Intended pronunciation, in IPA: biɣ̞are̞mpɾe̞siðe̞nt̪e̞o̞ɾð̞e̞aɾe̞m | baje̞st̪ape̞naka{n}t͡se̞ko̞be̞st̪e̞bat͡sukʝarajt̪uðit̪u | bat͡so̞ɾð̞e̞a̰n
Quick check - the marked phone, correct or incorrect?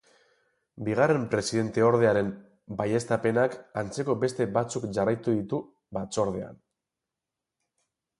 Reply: correct